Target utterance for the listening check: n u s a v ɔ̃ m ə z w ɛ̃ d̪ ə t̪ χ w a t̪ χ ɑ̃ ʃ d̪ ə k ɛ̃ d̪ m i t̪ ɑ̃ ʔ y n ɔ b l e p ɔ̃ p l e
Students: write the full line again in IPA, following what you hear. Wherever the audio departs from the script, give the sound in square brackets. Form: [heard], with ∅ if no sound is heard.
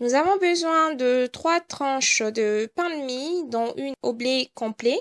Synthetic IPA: n u [z] a v ɔ̃ [b] ə z w ɛ̃ d̪ ə t̪ χ w a t̪ χ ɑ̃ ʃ d̪ ə [p] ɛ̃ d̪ m i [d̪] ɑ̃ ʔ y n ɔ b l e [k] ɔ̃ p l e